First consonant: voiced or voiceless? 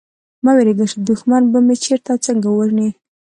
voiced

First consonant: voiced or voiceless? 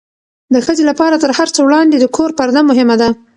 voiced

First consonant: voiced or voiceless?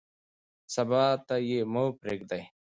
voiceless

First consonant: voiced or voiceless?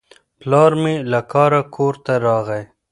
voiceless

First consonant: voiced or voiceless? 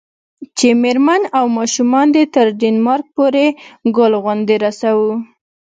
voiceless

